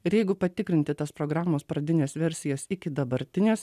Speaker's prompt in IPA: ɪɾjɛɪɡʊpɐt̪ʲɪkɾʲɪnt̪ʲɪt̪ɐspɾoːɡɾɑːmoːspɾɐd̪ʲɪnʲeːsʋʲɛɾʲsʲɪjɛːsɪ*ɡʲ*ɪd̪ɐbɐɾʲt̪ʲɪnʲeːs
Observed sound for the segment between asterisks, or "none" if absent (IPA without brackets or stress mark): kʲ